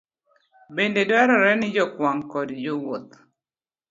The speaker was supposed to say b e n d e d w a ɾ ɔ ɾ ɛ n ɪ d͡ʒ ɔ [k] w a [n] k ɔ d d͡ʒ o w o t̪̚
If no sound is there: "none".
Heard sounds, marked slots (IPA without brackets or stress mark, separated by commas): k, ŋ